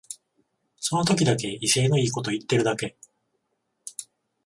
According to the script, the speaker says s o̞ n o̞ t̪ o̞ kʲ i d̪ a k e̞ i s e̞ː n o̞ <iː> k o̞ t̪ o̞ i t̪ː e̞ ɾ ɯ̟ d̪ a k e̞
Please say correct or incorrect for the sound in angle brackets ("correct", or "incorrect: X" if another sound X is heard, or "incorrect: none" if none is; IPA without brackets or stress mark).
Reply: correct